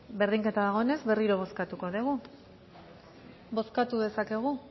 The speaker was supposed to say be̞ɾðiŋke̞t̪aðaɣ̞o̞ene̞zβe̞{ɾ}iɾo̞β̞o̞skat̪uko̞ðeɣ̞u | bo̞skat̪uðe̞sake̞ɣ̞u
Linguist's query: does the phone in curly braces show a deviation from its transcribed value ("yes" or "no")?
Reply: yes